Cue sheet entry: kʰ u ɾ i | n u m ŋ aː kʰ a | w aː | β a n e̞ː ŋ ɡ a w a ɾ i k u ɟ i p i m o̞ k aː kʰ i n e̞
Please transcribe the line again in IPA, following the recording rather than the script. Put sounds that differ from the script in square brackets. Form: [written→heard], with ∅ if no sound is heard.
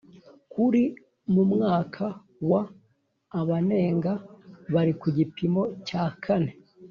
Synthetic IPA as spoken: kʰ u ɾ i | [n→m] u m ŋ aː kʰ a | w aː | β a n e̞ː ŋ ɡ a [w→β] a ɾ i k u ɟ i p i m o̞ [k→c] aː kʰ [i→a] n e̞